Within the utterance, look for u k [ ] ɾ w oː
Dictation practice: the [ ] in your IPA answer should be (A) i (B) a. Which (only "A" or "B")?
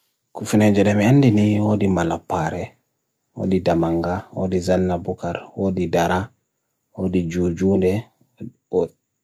B